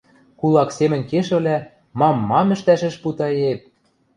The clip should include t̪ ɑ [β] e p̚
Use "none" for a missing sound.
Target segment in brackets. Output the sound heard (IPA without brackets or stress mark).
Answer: none